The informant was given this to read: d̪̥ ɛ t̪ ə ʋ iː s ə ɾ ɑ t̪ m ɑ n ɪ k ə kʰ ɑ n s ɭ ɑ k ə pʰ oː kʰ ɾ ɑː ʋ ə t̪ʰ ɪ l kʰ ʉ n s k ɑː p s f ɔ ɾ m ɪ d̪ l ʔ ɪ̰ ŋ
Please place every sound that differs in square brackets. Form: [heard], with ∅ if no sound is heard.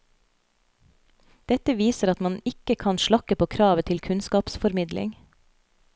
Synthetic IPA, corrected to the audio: d̪̥ ɛ t̪ ə ʋ iː s ə ɾ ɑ t̪ m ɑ n ɪ k ə kʰ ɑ n [ʃ] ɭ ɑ k ə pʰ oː kʰ ɾ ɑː ʋ ə t̪ʰ ɪ l kʰ ʉ n s k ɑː p s f ɔ ɾ m ɪ d̪ l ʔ ɪ̰ ŋ